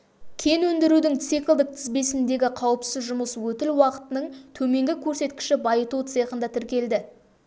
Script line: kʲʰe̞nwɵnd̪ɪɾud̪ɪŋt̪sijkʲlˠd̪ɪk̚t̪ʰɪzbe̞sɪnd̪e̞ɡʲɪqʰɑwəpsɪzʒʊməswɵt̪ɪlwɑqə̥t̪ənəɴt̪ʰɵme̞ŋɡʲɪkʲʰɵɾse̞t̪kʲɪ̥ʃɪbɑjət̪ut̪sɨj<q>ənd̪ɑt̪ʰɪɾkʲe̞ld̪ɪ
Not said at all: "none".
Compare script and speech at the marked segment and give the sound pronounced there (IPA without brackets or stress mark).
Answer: q